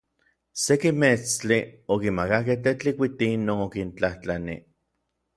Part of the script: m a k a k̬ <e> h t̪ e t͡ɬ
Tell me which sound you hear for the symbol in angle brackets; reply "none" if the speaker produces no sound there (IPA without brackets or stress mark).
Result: e